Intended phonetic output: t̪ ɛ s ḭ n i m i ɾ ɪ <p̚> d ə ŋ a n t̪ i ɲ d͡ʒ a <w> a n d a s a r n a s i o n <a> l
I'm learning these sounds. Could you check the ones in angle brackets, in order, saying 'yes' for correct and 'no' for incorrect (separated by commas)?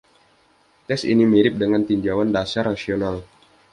yes, yes, yes